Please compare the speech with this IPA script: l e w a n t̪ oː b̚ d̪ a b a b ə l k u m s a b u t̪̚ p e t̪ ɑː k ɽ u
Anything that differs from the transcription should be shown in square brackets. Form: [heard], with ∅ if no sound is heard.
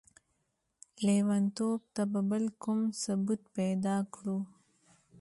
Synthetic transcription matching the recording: l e w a n t̪ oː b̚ [t̪] a b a b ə l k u m s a b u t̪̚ p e [d̪] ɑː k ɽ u

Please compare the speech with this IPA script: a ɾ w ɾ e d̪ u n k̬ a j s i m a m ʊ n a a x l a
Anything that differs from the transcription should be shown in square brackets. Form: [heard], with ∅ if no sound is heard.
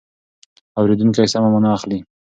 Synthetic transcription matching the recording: a [∅] w ɾ e d̪ u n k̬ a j s [a] m a m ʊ n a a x l [i]

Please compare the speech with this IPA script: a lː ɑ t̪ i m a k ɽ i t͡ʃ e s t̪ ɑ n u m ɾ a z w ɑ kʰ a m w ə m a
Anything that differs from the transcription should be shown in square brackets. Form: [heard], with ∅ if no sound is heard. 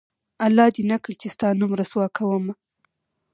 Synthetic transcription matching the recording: a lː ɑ [d̪] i [n] a k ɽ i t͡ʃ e s t̪ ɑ n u m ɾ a [s] w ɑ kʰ a [∅] w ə m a

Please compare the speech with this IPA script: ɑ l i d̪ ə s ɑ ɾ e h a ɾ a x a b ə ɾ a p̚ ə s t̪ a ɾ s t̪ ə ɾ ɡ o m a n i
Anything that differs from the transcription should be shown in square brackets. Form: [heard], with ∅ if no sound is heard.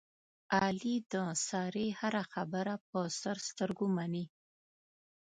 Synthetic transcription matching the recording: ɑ l i d̪ ə s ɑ ɾ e h a ɾ a x a b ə ɾ a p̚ ə s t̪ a ɾ s t̪ ə ɾ ɡ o m a n i

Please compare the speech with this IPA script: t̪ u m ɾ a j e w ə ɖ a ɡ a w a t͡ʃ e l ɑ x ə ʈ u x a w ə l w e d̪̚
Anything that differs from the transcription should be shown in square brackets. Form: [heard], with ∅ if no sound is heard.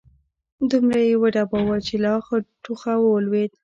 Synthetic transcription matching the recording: [d̪] u m ɾ a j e w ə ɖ a [b] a w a t͡ʃ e l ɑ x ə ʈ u x a w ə l w e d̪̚

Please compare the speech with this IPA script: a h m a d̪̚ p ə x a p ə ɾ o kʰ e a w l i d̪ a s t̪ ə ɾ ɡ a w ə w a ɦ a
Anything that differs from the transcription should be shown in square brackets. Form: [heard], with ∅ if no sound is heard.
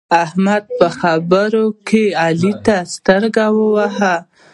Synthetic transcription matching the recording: a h m a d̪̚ p ə x a [b] ə ɾ o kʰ e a [∅] l i [t̪] a s t̪ ə ɾ ɡ a w ə w a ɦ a

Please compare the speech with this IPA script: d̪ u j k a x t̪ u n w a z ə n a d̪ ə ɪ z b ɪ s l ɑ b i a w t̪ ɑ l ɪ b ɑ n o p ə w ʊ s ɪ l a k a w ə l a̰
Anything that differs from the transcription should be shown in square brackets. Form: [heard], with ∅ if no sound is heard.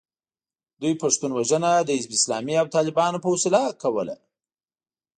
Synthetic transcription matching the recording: d̪ u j [p] a [ʂ] t̪ u n w a [ʒ] ə n a d̪ ə ɪ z b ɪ s l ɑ [m] i a w t̪ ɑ l ɪ b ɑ n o p ə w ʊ s ɪ l a k a w ə l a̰

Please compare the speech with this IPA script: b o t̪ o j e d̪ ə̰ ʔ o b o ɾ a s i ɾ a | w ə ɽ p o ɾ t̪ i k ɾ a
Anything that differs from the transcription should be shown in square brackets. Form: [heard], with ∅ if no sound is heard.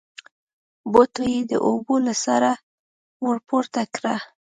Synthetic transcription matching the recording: b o t̪ o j e d̪ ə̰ ʔ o b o [l] a s [a] ɾ a | w ə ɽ p o ɾ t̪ [a] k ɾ a

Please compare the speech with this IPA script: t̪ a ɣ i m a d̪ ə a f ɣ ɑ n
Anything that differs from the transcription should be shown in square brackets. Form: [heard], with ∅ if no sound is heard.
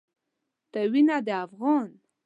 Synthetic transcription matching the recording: t̪ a [w] i [n] a d̪ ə a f ɣ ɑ n

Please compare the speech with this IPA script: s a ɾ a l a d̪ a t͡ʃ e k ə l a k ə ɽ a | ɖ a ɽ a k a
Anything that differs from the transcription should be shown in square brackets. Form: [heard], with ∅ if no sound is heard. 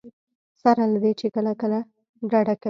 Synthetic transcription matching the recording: s a ɾ a l a d̪ [e] t͡ʃ e k ə l a k ə [l] a | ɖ a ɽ a k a

